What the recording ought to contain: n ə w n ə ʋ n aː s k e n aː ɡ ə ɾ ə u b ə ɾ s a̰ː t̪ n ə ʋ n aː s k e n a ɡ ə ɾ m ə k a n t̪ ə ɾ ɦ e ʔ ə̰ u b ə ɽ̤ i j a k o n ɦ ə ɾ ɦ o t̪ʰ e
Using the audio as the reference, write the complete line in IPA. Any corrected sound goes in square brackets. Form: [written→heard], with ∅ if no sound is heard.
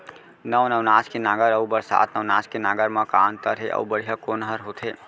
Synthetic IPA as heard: n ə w n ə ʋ n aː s k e n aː ɡ ə ɾ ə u b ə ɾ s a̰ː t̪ n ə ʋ n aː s k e n a ɡ ə ɾ m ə k a n t̪ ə ɾ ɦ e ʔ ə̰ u b ə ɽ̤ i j a k o n ɦ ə ɾ ɦ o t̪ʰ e